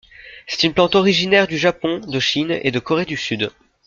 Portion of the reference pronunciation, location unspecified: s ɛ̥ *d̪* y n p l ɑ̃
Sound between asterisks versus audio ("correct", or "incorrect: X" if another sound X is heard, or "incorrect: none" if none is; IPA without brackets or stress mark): incorrect: t̪